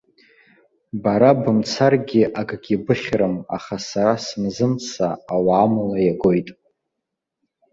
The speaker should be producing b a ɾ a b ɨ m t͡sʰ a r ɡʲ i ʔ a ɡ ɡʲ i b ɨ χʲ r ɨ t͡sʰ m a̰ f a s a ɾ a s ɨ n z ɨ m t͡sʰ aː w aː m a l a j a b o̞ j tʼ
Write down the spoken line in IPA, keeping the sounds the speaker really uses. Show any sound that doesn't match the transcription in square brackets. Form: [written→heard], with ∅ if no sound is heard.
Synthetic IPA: b a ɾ a b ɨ m t͡sʰ a r ɡʲ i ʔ a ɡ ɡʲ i b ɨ χʲ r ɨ [t͡sʰ→∅] m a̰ [f→χ] a s a ɾ a s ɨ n z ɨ m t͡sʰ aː w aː m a l a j a [b→ɡ] o̞ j tʼ